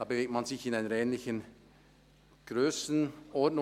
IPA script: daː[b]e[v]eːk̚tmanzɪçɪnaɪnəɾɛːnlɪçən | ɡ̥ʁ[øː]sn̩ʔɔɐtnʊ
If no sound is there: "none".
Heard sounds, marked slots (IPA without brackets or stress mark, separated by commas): b, v, øː